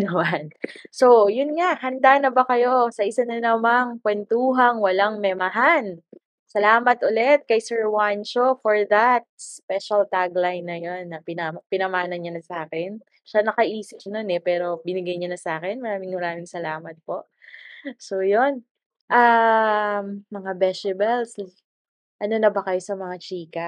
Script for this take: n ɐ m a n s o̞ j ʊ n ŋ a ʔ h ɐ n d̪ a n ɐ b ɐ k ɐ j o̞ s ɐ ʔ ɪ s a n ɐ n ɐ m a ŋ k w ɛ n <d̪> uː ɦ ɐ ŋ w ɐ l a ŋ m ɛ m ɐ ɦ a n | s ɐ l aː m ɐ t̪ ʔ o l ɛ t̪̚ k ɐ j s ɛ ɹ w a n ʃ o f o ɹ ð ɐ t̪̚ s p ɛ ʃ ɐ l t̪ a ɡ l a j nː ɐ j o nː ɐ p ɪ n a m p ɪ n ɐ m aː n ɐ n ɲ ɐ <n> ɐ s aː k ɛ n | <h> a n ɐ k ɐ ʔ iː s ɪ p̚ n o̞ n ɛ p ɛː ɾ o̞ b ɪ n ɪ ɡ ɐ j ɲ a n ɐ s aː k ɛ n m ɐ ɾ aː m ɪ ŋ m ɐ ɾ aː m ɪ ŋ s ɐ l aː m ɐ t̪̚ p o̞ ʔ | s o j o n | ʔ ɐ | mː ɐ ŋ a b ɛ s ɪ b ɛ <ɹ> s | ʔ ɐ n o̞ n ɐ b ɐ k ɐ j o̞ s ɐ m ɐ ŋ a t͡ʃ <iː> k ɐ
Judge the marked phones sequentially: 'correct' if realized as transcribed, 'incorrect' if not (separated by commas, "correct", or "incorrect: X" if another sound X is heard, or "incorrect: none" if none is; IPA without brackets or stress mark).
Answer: incorrect: t̪, correct, incorrect: ʃ, incorrect: l, correct